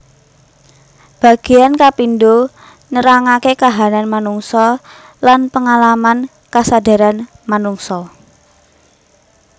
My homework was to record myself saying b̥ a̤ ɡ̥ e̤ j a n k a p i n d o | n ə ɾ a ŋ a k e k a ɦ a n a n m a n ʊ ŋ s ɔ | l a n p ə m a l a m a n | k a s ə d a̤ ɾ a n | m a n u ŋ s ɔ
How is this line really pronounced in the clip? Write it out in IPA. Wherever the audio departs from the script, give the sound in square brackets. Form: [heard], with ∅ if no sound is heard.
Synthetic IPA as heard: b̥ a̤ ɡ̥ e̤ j a n k a p i n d o | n ə ɾ a ŋ a k e k a ɦ a n a n m a n [u] ŋ s ɔ | l a n p ə [ŋ] a l a m a n | k a s [a] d a̤ ɾ a n | m a n u ŋ s ɔ